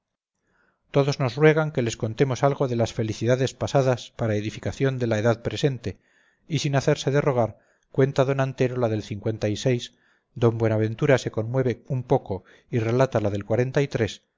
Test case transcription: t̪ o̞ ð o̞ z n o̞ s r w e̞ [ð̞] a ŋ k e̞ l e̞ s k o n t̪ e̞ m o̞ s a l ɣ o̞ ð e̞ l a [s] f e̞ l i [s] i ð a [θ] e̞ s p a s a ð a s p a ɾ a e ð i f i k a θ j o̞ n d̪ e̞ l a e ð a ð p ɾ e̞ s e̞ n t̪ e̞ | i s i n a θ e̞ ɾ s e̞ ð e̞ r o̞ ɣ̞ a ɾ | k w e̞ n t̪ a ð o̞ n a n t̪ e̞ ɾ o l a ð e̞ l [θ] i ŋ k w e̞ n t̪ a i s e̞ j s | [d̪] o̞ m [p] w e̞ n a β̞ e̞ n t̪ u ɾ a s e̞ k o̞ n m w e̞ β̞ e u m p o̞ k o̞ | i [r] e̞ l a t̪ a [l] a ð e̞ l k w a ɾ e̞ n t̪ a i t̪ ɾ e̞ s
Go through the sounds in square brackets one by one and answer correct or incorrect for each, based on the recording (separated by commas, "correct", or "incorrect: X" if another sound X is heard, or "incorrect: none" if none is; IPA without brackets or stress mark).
incorrect: ɣ̞, correct, incorrect: θ, incorrect: ð, correct, correct, incorrect: b, correct, correct